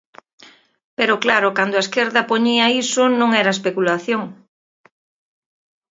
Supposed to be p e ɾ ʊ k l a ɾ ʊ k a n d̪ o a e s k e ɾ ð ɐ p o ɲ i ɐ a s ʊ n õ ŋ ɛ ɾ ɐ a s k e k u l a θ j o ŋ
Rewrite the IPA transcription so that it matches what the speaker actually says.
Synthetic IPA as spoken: p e ɾ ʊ k l a ɾ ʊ k a n d̪ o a e s k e ɾ ð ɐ p o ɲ i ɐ i s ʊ n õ ŋ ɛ ɾ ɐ e s p e k u l a θ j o ŋ